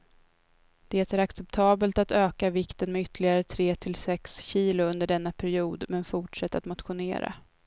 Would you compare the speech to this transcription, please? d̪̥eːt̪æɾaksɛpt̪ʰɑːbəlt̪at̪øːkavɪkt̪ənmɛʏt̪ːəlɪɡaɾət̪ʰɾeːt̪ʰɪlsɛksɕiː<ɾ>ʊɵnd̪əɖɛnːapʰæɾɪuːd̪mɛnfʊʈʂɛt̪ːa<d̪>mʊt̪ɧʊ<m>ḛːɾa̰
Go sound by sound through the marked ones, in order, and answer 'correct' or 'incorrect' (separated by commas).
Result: incorrect, incorrect, incorrect